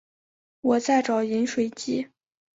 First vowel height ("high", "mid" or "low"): mid